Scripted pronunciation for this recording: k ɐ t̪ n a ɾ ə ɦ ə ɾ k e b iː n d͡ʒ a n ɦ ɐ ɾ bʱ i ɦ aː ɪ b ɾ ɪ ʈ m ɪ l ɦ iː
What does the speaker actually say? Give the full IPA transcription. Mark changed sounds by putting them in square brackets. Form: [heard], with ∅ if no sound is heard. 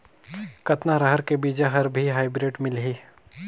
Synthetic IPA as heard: k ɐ t̪ n a ɾ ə ɦ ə ɾ k e b iː [∅] d͡ʒ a [∅] ɦ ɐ ɾ bʱ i ɦ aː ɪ b ɾ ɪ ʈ m ɪ l ɦ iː

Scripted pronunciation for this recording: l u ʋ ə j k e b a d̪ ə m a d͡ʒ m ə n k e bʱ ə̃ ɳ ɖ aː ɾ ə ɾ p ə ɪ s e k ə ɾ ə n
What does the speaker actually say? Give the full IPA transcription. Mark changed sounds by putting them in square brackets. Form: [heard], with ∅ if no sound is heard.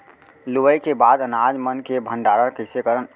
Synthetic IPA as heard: l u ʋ ə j k e b a d̪ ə [n] a d͡ʒ m ə n k e bʱ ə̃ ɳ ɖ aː ɾ ə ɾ [k] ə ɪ s e k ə ɾ ə n

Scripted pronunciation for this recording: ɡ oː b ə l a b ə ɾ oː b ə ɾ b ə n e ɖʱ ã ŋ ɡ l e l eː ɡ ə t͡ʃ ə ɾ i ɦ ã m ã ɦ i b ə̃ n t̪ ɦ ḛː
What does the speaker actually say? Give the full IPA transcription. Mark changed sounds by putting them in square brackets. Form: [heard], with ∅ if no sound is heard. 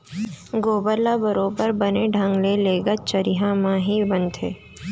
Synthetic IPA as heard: ɡ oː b ə l a b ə ɾ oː b ə ɾ b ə n e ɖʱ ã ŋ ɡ l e l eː ɡ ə t͡ʃ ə ɾ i ɦ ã m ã ɦ i b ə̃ n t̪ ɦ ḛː

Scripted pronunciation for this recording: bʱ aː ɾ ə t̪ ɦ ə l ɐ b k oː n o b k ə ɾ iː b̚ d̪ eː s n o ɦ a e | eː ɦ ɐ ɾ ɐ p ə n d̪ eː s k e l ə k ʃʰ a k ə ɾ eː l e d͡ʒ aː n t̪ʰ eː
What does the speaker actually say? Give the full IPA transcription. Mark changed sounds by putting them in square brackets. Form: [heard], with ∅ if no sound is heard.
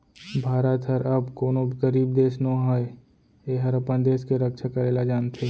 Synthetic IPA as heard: bʱ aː ɾ ə t̪ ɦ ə [ɾ] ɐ b k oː n o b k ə ɾ iː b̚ d̪ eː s n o ɦ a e | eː ɦ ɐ ɾ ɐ p ə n d̪ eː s k e [ɾ] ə k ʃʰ a k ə ɾ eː l [a] d͡ʒ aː n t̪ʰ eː

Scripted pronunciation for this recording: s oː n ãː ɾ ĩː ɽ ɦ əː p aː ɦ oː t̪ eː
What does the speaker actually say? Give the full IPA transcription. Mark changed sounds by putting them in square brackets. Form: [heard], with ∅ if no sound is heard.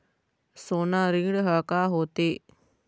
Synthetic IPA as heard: s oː n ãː ɾ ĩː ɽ ɦ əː [k] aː ɦ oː t̪ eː

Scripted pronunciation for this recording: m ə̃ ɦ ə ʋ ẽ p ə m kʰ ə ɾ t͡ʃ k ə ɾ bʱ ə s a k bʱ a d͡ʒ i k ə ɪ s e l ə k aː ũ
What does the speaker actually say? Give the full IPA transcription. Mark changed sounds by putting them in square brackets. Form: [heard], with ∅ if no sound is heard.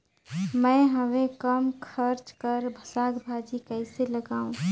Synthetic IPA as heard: m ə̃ ɦ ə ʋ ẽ [k] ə m kʰ ə ɾ t͡ʃ k ə ɾ bʱ ə s a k bʱ a d͡ʒ i k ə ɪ s e l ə [ɡ] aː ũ

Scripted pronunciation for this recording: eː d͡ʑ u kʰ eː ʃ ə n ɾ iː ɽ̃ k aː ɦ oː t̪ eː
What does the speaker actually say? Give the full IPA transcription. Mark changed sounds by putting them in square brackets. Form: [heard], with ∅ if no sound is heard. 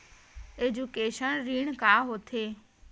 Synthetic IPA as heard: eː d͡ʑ u [k] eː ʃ ə n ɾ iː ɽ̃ k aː ɦ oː [t̪ʰ] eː

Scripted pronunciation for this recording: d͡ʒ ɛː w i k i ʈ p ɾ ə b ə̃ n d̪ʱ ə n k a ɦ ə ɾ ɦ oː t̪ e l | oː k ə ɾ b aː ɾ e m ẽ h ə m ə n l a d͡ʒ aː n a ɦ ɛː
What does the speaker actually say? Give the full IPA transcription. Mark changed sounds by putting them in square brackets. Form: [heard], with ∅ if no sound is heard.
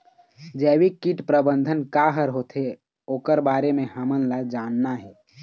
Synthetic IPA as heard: d͡ʒ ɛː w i k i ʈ p ɾ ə b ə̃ n d̪ʱ ə n k a ɦ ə ɾ ɦ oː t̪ e [∅] | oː k ə ɾ b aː ɾ e m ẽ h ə m ə n l a d͡ʒ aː [nː] a ɦ ɛː

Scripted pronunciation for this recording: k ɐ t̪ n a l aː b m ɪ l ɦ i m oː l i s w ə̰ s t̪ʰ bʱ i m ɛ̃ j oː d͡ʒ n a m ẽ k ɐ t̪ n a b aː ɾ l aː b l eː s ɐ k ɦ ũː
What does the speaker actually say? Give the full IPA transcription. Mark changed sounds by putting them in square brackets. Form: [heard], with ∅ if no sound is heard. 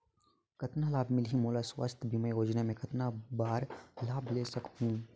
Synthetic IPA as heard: k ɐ t̪ n a l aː b m ɪ l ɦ i m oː l [a] s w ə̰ s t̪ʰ bʱ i m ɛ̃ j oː d͡ʒ n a m ẽ k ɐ t̪ n a b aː ɾ l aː b l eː s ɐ k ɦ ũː

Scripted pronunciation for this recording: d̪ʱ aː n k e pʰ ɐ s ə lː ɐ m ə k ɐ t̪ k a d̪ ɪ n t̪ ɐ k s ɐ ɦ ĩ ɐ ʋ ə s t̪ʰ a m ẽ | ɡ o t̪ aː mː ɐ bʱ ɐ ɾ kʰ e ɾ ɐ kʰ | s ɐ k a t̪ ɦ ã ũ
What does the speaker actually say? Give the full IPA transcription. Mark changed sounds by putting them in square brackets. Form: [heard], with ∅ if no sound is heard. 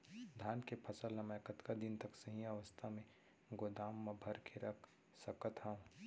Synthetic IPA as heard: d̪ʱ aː n k e pʰ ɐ s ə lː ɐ m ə k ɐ t̪ k a d̪ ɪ n t̪ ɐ k s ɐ ɦ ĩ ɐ ʋ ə s t̪ʰ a m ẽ | ɡ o [d̪] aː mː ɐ bʱ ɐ ɾ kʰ e ɾ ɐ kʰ | s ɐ k [ə] t̪ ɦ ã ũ

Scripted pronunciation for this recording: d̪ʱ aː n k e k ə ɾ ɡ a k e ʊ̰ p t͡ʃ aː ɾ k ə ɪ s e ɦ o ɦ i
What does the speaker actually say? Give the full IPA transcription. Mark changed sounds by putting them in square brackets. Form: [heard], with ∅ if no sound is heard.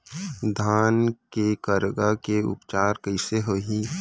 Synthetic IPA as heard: d̪ʱ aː n k e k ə ɾ ɡ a k e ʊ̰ p t͡ʃ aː ɾ k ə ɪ s e ɦ o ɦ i

